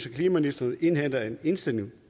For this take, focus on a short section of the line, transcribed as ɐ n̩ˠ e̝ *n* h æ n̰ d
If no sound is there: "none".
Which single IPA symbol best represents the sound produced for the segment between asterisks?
n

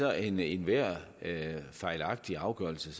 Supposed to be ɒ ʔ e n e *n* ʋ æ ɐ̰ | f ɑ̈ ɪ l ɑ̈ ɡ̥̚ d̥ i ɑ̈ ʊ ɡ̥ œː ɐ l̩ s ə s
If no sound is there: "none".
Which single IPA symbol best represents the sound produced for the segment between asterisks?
n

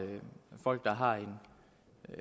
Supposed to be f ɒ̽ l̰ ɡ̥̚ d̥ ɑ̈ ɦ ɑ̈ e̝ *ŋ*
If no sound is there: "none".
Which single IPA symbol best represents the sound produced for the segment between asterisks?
n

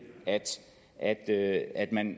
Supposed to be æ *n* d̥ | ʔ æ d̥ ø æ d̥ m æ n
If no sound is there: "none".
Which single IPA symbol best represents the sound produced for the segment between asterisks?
none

